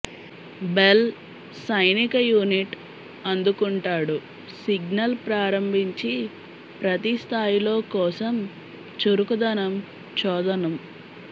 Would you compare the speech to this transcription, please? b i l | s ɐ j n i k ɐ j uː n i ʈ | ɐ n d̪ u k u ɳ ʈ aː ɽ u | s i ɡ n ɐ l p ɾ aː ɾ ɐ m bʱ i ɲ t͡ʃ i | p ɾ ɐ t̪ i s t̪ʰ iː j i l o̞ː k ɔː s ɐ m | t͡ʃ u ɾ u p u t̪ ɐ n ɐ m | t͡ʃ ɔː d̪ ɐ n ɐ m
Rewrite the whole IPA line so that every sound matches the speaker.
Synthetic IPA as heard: b e l | s ɐ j n i k ɐ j uː n i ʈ | ɐ n d̪ u k u ɳ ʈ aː ɽ u | s i ɡ n ɐ l p ɾ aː ɾ ɐ m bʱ i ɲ t͡ʃ i | p ɾ ɐ t̪ i s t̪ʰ aː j i l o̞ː k ɔː s ɐ m | t͡ʃ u ɾ u k u d̪ ɐ n ɐ m | t͡ʃ ɔː d̪ ɐ n ɐ m